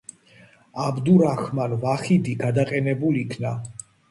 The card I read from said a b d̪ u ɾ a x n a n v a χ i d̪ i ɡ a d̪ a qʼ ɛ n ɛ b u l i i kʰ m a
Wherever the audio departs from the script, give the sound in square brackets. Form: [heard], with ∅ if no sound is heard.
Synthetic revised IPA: a b d̪ u ɾ a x [m] a n v a χ i d̪ i ɡ a d̪ a qʼ ɛ n ɛ b u l i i kʰ [n] a